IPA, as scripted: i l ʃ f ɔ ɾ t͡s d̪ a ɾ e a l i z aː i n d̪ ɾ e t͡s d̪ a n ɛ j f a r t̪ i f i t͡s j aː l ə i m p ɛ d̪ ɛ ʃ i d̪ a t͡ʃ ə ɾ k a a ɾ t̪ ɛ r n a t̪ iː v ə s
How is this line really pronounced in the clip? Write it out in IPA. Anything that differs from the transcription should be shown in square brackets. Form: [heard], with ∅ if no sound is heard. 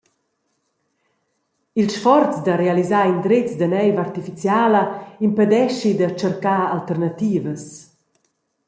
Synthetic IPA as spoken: i l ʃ f ɔ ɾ t͡s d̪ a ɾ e a l i z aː i n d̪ ɾ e t͡s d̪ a n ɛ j [v] a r t̪ i f i t͡s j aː l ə i m p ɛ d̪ ɛ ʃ i d̪ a t͡ʃ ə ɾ k a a [l] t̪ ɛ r n a t̪ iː v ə s